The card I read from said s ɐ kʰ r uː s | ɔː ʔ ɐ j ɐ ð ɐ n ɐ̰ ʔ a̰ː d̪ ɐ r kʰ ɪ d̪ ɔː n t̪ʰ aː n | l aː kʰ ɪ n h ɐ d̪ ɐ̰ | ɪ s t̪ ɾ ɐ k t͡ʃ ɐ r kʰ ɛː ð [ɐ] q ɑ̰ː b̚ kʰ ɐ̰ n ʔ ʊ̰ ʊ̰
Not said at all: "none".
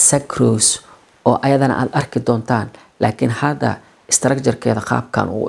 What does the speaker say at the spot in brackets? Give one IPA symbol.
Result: ɐ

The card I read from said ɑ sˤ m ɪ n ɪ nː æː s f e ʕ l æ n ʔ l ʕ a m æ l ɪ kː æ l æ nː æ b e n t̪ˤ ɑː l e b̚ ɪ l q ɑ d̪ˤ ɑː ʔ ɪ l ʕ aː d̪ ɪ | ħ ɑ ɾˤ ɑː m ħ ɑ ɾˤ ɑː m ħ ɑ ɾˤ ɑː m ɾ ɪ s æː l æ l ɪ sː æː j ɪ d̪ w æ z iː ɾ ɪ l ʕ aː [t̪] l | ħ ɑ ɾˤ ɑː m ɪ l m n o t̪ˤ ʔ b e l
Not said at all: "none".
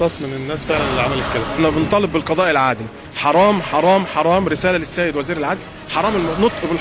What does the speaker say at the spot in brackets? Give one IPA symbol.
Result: d̪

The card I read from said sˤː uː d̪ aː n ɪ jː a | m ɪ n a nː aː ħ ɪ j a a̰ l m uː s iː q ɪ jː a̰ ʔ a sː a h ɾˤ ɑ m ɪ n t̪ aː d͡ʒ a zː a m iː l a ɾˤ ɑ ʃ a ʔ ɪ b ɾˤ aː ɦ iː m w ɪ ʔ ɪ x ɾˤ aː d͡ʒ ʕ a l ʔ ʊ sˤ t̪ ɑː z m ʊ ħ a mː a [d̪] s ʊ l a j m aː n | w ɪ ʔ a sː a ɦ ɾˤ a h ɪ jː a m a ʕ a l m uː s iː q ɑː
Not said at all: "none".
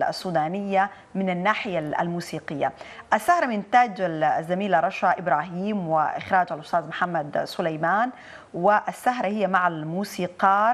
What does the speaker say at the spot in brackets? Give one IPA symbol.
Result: d̪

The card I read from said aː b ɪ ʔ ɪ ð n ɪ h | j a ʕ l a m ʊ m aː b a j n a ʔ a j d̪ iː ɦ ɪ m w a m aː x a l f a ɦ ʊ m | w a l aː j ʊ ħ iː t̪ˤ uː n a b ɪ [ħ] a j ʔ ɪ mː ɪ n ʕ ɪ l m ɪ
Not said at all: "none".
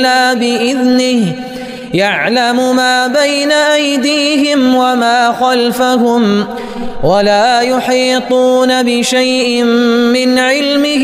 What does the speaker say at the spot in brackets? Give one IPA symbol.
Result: ʃ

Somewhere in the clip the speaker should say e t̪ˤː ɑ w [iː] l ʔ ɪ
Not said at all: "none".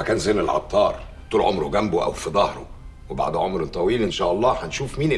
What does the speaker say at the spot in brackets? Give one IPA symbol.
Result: iː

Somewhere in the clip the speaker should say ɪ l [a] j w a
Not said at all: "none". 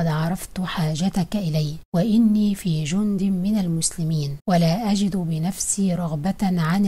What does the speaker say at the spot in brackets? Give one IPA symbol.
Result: a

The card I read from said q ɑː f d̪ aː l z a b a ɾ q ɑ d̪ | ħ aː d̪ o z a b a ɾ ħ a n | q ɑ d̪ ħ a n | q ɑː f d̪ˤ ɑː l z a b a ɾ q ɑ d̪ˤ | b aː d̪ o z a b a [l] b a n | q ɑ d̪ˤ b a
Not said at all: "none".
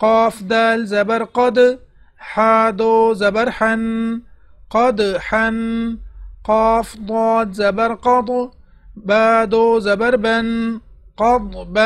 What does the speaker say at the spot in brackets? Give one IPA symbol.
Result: ɾ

